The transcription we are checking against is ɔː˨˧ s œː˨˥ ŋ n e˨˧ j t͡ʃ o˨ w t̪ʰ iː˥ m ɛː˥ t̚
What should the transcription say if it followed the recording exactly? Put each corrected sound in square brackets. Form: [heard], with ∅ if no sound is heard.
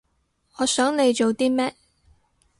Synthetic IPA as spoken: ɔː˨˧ s œː˨˥ ŋ n e˨˧ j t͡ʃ o˨ w [t̪] iː˥ m ɛː˥ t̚